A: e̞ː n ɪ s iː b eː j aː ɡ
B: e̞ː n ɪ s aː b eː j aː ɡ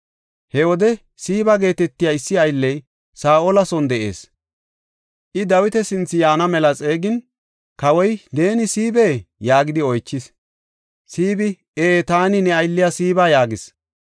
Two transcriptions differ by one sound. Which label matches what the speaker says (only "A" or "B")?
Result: A